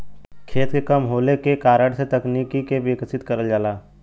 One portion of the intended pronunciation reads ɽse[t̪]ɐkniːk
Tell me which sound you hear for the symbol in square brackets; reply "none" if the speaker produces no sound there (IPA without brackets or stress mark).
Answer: t̪